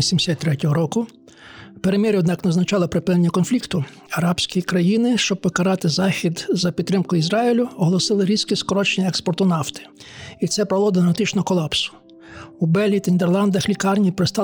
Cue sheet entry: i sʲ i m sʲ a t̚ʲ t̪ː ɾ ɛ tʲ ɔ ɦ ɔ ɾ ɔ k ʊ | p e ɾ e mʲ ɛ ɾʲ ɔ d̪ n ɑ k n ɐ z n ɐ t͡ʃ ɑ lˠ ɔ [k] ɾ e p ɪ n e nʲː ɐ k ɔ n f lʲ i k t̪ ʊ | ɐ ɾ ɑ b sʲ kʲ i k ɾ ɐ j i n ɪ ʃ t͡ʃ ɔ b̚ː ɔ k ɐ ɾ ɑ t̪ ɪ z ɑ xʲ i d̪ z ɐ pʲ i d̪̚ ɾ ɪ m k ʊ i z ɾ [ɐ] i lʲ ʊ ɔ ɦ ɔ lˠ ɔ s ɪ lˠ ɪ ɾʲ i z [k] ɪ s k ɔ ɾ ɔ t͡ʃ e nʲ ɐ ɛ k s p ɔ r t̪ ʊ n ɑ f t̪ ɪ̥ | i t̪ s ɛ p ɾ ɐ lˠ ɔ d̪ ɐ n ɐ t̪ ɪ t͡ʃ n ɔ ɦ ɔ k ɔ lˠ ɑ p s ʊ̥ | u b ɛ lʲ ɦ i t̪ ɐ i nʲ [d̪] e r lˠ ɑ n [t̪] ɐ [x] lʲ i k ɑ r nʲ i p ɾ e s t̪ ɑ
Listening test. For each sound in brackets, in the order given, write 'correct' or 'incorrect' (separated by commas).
incorrect, incorrect, correct, correct, incorrect, correct